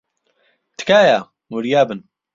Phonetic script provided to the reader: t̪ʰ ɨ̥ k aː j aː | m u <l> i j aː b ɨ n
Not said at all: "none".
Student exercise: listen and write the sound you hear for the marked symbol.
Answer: ɾ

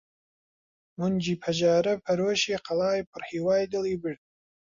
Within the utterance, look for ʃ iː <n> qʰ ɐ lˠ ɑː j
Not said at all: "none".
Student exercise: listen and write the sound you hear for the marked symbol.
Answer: none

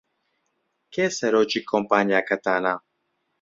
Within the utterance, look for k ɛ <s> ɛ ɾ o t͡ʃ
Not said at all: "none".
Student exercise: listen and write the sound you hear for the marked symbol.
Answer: s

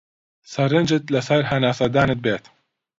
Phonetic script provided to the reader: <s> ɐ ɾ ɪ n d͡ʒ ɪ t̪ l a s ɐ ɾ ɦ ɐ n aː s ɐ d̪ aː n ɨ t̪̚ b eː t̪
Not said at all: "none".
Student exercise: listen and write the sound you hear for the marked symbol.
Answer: s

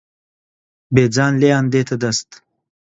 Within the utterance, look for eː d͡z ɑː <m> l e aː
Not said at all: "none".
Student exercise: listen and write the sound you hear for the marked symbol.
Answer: n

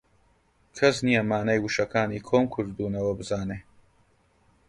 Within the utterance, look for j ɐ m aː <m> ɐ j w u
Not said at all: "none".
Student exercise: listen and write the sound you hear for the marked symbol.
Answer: n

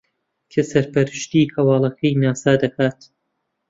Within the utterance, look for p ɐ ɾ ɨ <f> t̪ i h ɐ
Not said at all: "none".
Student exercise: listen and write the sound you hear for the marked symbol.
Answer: ʃ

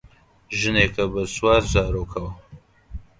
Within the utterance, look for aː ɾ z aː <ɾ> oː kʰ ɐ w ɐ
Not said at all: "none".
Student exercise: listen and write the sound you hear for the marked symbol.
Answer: ɾ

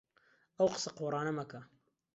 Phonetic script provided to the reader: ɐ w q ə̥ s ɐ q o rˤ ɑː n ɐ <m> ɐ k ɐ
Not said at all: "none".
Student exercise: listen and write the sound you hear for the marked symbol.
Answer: m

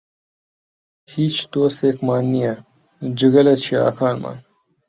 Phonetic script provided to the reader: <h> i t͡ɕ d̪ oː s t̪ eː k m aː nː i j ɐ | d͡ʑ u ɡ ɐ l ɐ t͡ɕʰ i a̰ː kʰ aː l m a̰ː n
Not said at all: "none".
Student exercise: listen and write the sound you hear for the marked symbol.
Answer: h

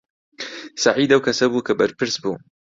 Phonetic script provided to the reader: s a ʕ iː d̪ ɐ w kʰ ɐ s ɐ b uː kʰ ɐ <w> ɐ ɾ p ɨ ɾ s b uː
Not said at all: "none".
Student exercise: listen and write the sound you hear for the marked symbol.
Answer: b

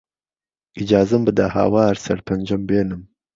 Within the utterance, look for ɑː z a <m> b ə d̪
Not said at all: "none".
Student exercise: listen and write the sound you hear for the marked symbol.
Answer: m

